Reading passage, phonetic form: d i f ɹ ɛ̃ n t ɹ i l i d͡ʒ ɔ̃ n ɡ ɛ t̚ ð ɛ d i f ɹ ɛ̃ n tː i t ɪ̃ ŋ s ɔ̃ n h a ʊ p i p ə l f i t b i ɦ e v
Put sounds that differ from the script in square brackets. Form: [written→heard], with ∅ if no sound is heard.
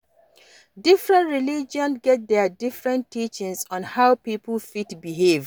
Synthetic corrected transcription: d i f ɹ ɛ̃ n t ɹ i l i d͡ʒ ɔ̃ n ɡ ɛ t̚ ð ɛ d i f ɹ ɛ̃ n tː i [t→t͡ʃ] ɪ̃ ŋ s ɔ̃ n h a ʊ p i p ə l f i t b i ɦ e v